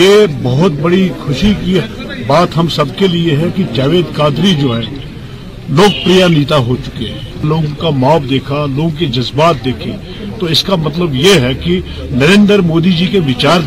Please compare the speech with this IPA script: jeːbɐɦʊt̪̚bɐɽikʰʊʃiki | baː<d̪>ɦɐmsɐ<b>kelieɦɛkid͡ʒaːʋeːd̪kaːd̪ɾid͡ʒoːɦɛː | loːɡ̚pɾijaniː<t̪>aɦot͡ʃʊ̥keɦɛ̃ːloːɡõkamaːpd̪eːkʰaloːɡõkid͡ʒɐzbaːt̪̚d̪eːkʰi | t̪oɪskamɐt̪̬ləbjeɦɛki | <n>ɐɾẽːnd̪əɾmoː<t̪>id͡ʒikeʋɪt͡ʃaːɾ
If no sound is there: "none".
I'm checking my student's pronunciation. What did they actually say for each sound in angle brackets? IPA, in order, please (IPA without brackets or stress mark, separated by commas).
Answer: t̪, b, t̪, n, d̪